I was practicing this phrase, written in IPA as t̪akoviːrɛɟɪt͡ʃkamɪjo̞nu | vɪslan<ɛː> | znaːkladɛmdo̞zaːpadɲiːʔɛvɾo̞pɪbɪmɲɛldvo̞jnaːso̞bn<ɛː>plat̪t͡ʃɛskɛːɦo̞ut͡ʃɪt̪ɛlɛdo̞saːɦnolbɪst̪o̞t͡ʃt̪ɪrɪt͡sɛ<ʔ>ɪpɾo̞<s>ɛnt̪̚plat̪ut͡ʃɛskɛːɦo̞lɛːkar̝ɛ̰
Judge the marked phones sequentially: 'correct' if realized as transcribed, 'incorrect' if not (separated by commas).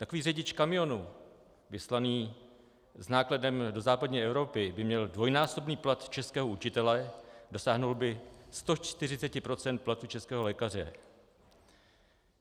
incorrect, incorrect, incorrect, incorrect